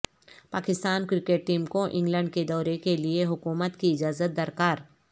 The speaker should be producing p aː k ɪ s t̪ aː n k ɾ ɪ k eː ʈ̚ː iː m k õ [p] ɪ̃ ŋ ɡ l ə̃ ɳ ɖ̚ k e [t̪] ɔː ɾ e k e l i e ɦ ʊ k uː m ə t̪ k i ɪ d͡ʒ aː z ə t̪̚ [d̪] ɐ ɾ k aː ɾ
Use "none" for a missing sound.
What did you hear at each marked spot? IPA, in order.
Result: ʔ, d̪, d̪

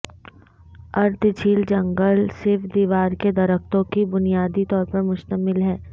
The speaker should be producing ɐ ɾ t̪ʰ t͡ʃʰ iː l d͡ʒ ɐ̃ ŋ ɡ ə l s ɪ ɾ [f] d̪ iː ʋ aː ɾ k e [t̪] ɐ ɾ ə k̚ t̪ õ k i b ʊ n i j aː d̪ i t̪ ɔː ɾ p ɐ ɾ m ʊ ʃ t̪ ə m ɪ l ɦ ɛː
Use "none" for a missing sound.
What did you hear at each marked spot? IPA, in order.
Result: f, d̪

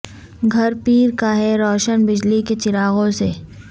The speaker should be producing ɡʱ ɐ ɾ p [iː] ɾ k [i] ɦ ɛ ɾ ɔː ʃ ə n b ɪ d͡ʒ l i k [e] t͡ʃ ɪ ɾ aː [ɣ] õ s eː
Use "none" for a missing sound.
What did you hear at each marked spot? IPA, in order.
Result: iː, a, e, ɣ

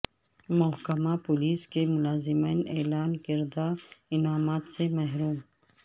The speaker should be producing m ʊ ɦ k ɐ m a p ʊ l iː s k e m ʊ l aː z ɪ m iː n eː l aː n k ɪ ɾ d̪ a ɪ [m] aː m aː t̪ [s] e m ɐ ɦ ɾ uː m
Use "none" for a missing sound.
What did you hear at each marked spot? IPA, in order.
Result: n, s

